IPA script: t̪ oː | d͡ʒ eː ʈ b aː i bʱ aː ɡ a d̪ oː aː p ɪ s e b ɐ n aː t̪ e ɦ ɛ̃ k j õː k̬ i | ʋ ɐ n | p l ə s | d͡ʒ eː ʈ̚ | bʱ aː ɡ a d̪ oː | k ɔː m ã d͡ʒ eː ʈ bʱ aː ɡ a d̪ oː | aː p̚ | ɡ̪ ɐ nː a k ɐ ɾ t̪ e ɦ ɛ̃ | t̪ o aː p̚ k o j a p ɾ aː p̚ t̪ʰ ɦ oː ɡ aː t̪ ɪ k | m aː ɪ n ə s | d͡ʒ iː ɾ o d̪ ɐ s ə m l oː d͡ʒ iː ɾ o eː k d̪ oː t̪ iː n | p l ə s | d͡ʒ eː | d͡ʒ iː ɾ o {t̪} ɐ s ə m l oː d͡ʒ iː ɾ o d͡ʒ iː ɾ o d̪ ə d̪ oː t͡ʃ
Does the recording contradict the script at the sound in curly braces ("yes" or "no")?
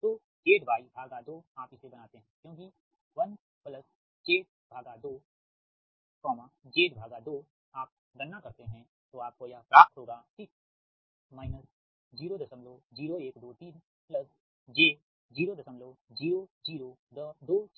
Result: yes